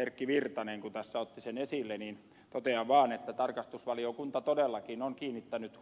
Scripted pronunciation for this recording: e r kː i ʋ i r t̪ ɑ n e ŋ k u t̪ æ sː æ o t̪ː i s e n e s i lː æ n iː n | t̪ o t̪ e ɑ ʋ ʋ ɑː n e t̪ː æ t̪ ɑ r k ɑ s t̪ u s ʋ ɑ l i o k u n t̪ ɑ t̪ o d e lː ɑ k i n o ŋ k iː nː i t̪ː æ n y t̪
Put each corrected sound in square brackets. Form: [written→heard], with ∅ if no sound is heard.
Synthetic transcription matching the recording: e r kː i ʋ i r t̪ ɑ n e ŋ k u t̪ æ sː æ o t̪ː i s e n e s i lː [æ→e] n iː n | t̪ o t̪ e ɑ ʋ ʋ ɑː n e t̪ː æ t̪ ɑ r k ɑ s t̪ u s ʋ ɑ l i o k u n t̪ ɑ t̪ o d e lː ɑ k i n o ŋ k iː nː i t̪ː æ n y t̪